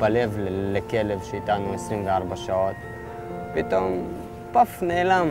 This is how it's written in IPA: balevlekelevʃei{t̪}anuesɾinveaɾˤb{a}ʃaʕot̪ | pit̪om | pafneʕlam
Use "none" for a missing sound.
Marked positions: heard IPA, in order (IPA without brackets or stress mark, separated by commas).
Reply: t̪, a